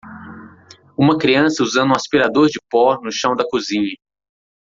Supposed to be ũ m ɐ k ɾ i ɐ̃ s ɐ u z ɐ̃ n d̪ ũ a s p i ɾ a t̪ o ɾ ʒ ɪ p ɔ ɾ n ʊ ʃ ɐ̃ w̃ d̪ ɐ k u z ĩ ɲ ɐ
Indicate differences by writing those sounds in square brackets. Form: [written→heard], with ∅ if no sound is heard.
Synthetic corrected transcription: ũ m ɐ k ɾ i ɐ̃ s ɐ u z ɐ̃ n d̪ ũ a s p i ɾ a [t̪→d̪] o ɾ [ʒ→d͡ʒ] ɪ p ɔ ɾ n ʊ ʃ ɐ̃ w̃ d̪ ɐ k u z ĩ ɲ ɐ

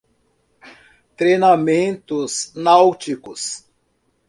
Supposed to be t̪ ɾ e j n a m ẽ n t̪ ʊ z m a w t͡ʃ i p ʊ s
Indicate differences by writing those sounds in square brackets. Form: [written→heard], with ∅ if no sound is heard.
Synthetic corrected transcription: t̪ ɾ e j n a m ẽ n t̪ ʊ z [m→n] a w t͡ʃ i [p→k] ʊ s

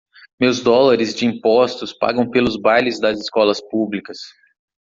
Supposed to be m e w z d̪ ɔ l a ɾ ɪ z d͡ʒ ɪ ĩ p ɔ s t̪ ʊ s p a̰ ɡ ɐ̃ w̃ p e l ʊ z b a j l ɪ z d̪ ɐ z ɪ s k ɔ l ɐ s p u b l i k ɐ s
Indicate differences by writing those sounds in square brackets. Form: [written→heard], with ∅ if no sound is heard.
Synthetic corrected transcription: m e w z d̪ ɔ l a ɾ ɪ z d͡ʒ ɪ ĩ p ɔ s t̪ ʊ s p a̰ ɡ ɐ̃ w̃ p e l ʊ z b a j l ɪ z d̪ ɐ z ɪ s k ɔ l ɐ s p u b l i k ɐ s

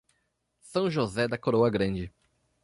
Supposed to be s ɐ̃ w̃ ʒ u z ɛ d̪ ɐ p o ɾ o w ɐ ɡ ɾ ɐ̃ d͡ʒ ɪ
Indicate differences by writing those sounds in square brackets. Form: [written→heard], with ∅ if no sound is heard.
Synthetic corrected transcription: s ɐ̃ w̃ ʒ [u→o] z ɛ d̪ ɐ [p→k] o ɾ o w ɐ ɡ ɾ ɐ̃ d͡ʒ ɪ

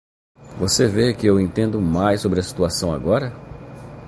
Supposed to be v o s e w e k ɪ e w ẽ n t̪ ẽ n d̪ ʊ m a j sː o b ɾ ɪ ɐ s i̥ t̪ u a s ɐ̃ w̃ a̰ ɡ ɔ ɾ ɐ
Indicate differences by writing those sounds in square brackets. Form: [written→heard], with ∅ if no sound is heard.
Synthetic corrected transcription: v o s e [w→v] e k ɪ e w ẽ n t̪ ẽ n d̪ ʊ m a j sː o b ɾ ɪ ɐ s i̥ t̪ u a s ɐ̃ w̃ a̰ ɡ ɔ ɾ ɐ

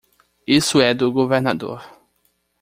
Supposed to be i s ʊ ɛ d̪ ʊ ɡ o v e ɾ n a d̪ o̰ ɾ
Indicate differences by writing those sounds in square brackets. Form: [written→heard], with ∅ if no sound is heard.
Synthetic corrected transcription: i s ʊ ɛ d̪ ʊ ɡ o v e ɾ n a d̪ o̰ ɾ

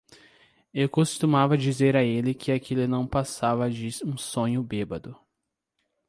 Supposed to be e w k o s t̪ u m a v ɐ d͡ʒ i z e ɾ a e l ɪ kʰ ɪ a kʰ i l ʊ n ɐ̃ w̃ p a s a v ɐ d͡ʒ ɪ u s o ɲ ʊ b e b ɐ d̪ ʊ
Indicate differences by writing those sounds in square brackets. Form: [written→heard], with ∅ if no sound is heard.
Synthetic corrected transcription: e w k o s t̪ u m a v ɐ d͡ʒ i z e ɾ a e l ɪ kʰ ɪ a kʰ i l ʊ n ɐ̃ w̃ p a s a v ɐ d͡ʒ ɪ [u→ũ] s [o→õ] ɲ ʊ b e b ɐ d̪ ʊ

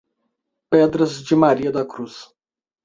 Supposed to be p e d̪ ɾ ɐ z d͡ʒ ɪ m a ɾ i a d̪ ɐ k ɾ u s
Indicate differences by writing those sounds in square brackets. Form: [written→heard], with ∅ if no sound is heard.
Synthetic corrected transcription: p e d̪ ɾ ɐ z d͡ʒ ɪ m a ɾ i [a→ɐ] d̪ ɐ k ɾ u s

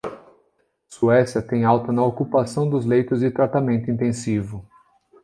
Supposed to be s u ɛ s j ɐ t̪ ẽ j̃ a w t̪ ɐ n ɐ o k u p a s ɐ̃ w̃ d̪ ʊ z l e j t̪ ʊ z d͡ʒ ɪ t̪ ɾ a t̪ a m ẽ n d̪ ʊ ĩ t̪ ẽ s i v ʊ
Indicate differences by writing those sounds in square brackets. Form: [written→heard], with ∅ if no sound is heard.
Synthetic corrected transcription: s u ɛ s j ɐ t̪ ẽ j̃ a w t̪ ɐ n ɐ o k u p a s ɐ̃ w̃ d̪ ʊ z l e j t̪ ʊ z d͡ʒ ɪ t̪ ɾ a t̪ a m ẽ n [d̪→t̪] ʊ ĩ t̪ ẽ s i v ʊ

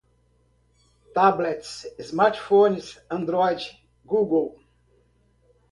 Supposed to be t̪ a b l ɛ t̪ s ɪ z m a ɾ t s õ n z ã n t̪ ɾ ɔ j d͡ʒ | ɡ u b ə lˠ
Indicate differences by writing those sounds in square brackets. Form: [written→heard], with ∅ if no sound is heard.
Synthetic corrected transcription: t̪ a b l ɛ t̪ s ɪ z m a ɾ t [s→f] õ n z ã n [t̪→d̪] ɾ ɔ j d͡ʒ | ɡ u [b→ɡ] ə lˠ

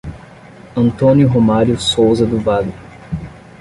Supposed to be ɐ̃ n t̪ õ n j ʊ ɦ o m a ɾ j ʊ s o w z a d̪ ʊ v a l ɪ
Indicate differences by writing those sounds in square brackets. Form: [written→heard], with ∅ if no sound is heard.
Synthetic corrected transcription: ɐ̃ n t̪ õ n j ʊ ɦ o m a ɾ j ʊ s o w z [a→ɐ] d̪ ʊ v a l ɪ

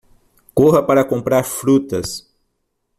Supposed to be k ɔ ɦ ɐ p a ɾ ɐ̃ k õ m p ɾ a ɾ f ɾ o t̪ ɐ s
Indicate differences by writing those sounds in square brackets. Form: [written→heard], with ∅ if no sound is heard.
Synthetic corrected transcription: k [ɔ→o] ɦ ɐ p a ɾ [ɐ̃→ɐ] k õ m p ɾ a ɾ f ɾ [o→u] t̪ ɐ s

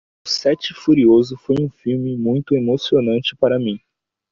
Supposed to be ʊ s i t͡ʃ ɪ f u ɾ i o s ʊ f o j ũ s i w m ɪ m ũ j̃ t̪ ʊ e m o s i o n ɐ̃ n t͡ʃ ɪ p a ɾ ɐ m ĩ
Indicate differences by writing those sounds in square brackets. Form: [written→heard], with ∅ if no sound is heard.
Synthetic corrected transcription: ʊ s [i→ɛ] t͡ʃ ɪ f u ɾ i o [s→z] ʊ f o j ũ [s→f] i w m ɪ m ũ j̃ t̪ ʊ e m o s i o n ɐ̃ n t͡ʃ ɪ p a ɾ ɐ m ĩ

